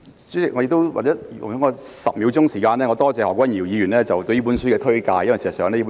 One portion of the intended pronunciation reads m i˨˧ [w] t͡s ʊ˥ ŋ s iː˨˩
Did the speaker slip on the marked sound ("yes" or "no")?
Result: no